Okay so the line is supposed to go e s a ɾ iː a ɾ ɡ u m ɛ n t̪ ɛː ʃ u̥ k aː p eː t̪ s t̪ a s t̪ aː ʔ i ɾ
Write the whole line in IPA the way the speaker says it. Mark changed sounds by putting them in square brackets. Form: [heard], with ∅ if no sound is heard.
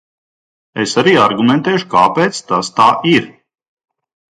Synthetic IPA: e s a ɾ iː a ɾ ɡ u m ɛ n t̪ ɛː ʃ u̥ k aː p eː t̪ s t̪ a s t̪ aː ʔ i ɾ